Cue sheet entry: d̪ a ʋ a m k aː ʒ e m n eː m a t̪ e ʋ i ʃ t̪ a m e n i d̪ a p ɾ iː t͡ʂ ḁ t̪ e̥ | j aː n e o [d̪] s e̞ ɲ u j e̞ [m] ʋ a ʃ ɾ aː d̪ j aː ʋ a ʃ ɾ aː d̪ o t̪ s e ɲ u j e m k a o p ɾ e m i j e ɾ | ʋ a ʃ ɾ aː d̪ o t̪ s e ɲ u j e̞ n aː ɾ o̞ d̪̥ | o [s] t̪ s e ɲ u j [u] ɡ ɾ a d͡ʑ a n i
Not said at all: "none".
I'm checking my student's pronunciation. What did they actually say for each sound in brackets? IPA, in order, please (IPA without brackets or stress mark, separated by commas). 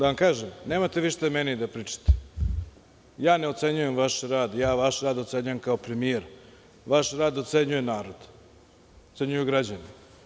t̪, m, none, u